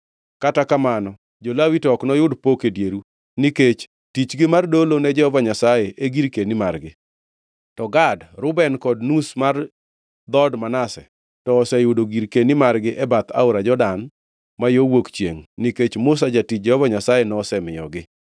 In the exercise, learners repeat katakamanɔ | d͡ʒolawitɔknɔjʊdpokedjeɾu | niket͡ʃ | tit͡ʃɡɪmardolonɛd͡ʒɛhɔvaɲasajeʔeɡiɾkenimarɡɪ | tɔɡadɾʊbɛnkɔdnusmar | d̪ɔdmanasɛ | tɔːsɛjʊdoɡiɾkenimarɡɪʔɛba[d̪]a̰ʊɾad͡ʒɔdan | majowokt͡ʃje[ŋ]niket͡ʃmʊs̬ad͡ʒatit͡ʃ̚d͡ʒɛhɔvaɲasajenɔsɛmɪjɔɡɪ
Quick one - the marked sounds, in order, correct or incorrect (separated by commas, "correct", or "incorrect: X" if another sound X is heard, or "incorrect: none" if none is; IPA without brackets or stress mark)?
incorrect: t̪, correct